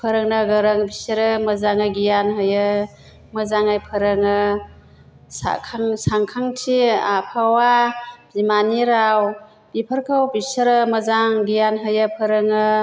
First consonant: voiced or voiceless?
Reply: voiceless